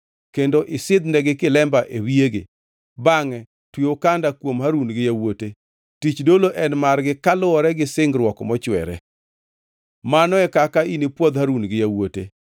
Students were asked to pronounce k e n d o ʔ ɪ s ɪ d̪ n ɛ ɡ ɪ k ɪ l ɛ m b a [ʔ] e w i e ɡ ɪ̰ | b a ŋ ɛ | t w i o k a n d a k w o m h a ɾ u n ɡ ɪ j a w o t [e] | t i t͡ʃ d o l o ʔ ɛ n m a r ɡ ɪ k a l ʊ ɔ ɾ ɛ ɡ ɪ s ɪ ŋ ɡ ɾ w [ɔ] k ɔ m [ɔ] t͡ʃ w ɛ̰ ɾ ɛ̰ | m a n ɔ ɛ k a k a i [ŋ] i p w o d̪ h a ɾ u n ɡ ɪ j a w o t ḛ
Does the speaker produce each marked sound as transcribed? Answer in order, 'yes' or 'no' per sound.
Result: yes, yes, yes, yes, no

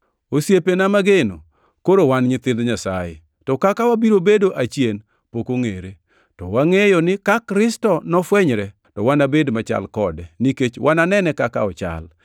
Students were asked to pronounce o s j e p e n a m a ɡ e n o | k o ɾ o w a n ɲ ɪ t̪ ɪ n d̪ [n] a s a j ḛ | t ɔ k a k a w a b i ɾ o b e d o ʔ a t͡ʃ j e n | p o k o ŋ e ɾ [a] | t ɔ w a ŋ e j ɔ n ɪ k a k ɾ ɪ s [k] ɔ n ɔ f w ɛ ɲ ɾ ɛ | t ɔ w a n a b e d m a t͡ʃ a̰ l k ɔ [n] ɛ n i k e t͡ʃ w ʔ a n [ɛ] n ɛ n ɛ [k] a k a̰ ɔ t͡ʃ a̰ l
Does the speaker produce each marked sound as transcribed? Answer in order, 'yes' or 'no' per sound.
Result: no, no, no, no, no, yes

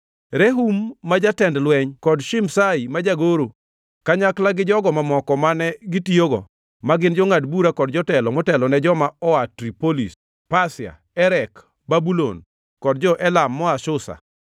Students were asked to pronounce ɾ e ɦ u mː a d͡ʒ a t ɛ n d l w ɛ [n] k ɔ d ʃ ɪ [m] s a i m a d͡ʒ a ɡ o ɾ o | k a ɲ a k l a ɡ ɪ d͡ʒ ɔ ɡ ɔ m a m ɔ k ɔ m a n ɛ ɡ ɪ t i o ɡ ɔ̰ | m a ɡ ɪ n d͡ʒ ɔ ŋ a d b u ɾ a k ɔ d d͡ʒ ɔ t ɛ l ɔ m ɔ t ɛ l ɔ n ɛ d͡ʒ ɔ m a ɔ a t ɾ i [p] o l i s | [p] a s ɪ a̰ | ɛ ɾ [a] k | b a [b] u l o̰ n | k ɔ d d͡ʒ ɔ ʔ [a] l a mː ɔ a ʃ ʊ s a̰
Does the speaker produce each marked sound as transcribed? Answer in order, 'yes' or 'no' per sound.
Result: no, yes, yes, yes, no, yes, no

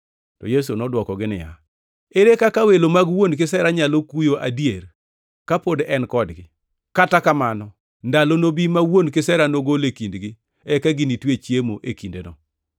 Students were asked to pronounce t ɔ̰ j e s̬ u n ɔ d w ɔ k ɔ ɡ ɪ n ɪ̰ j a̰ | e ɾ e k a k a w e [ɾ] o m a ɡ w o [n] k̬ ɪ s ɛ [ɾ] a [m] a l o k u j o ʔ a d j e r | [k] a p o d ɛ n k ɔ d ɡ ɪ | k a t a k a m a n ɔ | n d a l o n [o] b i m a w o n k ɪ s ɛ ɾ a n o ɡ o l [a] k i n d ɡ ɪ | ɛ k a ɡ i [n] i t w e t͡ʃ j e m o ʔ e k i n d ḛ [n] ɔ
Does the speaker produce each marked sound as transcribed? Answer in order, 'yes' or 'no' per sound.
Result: no, yes, yes, no, yes, yes, no, yes, yes

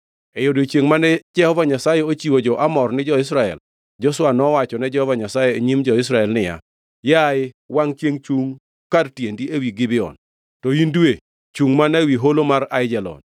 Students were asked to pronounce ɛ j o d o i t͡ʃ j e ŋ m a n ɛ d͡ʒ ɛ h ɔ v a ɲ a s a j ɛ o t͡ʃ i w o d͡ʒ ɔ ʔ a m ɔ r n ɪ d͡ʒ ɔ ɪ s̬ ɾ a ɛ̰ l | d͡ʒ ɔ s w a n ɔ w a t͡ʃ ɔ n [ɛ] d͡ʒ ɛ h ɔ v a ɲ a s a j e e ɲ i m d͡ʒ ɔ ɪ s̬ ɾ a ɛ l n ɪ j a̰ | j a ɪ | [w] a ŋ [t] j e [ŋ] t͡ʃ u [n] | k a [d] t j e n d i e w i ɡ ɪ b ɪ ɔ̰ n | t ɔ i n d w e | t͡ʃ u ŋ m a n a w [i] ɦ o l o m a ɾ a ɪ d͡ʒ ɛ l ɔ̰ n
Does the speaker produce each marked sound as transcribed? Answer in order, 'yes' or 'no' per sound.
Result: yes, yes, no, yes, no, yes, yes

